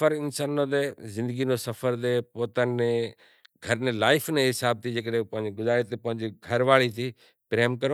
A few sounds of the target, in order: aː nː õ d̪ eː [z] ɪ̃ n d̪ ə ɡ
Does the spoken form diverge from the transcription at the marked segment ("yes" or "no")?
no